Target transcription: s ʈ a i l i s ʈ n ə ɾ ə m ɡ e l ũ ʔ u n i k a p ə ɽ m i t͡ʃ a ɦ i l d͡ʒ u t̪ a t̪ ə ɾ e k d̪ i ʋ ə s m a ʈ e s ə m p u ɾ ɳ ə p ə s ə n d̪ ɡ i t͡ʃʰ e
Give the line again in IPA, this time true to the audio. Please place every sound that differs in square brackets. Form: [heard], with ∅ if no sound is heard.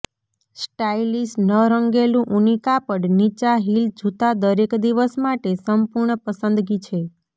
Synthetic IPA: s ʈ a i l i s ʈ n ə ɾ ə [ŋ] ɡ e l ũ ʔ u n i k a p ə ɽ [n] i t͡ʃ a ɦ i l d͡ʒ u t̪ a [d̪] ə ɾ e k d̪ i ʋ ə s m a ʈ e s ə m p u ɾ ɳ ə p ə s ə n d̪ ɡ i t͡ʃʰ e